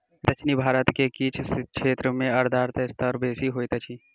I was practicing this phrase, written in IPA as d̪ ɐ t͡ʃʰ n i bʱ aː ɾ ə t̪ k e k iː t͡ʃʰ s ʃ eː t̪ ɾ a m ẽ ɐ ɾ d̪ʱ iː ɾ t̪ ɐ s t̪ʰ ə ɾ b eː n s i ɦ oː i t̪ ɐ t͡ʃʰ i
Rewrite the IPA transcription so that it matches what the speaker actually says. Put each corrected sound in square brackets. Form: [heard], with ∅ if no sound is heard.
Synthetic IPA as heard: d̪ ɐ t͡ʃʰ n i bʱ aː ɾ ə t̪ k e k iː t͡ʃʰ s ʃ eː t̪ ɾ [ə] m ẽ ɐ ɾ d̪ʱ [aː] ɾ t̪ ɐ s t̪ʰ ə ɾ b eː [∅] s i ɦ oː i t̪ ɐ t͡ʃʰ i